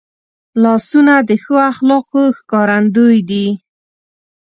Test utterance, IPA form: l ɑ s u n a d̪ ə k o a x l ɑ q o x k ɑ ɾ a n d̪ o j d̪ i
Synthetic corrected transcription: l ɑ s u n a d̪ ə x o a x l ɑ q o x k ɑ ɾ a n d̪ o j d̪ i